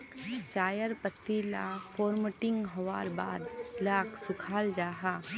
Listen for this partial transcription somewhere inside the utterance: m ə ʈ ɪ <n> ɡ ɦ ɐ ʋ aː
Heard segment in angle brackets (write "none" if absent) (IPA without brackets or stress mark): ŋ